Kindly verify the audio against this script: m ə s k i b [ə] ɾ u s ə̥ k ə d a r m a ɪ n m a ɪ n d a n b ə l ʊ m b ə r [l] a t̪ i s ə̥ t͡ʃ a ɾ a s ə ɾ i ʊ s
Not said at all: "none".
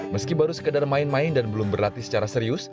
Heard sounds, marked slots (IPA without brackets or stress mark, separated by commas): a, l